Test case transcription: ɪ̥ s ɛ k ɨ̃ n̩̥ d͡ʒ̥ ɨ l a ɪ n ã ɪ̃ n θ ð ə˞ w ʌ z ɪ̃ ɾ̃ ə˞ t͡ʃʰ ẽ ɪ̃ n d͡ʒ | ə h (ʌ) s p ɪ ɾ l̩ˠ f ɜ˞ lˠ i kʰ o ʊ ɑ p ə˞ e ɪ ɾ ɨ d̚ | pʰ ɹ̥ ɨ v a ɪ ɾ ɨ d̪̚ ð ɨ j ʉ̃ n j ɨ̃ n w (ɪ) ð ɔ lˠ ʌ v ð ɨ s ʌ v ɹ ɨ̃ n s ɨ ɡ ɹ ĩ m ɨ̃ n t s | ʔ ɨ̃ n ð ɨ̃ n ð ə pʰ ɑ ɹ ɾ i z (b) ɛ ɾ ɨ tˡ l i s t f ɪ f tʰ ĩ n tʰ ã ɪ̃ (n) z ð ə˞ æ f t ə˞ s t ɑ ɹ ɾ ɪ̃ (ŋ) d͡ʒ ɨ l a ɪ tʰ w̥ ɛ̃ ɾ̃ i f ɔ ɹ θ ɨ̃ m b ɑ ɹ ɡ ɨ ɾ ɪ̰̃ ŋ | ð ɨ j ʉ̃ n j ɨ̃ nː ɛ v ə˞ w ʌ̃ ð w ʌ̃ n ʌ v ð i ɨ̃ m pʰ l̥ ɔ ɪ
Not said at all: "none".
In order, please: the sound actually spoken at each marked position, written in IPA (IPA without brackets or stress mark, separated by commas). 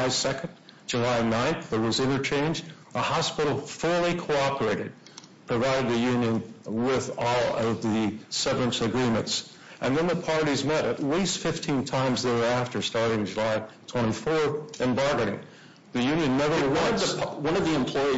ɑ, ɪ, m, m, ŋ